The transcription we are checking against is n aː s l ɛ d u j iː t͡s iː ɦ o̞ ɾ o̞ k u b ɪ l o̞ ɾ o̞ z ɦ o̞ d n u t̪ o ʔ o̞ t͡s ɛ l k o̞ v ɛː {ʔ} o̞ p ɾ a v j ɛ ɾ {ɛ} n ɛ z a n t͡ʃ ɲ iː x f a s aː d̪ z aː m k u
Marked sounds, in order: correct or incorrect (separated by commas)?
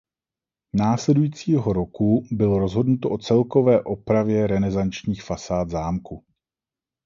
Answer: correct, correct